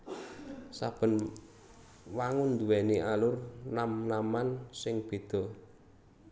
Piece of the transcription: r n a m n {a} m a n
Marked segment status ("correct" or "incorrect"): correct